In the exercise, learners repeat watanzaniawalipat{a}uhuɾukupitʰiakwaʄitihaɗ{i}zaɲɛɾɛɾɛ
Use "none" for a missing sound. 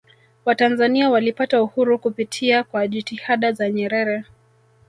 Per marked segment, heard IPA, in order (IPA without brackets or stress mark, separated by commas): a, a